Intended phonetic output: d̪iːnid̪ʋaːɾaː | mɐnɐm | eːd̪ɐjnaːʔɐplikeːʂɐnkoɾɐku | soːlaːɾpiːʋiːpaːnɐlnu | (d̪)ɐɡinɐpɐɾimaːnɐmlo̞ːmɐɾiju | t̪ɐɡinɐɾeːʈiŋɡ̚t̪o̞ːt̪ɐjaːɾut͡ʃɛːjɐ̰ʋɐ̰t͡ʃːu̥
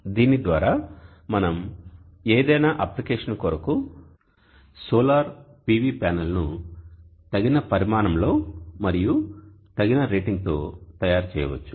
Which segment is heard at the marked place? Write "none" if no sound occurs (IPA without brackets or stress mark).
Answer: t̪